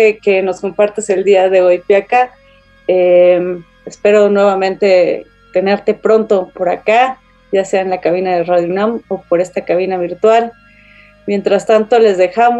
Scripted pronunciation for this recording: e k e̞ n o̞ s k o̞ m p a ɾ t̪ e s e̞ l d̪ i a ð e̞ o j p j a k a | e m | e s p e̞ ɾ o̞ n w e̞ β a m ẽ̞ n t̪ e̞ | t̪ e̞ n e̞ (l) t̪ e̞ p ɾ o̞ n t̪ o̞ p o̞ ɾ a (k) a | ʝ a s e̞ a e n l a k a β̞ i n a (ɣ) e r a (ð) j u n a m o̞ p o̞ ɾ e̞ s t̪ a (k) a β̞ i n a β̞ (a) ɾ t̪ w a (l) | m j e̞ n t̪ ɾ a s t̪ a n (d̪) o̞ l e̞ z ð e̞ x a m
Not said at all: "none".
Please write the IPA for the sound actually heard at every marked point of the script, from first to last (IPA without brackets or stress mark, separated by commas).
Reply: ɾ, k, ð, ð, k, i, l, t̪